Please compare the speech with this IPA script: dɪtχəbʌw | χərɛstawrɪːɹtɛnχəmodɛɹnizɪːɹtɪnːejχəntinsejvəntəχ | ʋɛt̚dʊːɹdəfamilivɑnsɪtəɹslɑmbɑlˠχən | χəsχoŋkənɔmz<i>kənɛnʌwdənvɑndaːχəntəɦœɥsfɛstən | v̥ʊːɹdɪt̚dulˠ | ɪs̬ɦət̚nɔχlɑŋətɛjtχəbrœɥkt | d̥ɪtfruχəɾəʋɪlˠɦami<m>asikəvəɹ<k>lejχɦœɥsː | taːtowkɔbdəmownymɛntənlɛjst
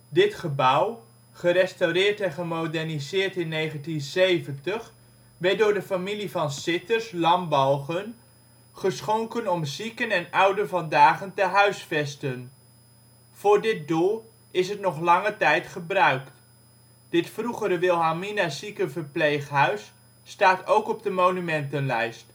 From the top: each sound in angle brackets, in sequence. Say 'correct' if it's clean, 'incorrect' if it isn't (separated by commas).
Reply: correct, incorrect, incorrect